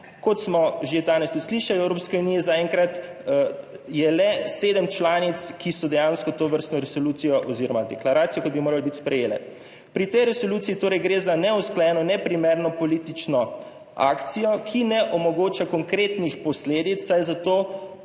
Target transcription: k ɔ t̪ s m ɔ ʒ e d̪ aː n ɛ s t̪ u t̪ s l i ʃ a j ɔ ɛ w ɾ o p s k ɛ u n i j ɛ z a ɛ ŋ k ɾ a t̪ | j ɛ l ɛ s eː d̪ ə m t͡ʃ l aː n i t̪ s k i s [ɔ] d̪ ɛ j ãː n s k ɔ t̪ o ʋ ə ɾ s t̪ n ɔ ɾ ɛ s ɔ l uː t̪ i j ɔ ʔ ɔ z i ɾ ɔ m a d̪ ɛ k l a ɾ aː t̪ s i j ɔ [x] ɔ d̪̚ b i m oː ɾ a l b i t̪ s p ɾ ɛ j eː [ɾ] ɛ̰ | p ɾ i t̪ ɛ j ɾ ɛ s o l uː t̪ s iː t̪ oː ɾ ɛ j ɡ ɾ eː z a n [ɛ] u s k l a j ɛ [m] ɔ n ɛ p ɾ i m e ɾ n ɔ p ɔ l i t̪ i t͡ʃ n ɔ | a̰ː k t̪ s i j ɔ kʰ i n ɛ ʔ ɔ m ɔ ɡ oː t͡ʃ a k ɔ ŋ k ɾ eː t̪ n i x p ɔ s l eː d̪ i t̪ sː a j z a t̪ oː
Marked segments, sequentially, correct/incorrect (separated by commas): correct, incorrect, incorrect, correct, incorrect